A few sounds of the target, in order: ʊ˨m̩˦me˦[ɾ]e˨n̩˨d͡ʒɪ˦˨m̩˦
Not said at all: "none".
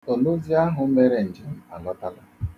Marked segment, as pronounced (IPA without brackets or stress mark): ɾ